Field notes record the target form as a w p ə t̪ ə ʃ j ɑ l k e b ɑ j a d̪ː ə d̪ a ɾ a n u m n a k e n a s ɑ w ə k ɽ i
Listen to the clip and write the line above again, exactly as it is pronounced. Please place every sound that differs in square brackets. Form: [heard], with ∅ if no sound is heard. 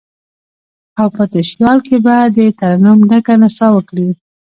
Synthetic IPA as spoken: a w p ə t̪ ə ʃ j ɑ l k e b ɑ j a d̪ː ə [t̪] a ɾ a n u m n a k [a] n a s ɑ w ə k ɽ i